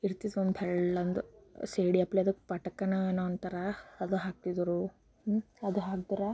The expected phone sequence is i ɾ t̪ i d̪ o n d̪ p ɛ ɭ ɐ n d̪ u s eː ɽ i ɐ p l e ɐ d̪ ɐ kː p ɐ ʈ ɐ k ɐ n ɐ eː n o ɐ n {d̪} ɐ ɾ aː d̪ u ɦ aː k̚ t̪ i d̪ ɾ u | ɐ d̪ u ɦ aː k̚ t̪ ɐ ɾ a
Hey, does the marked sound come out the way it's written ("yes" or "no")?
no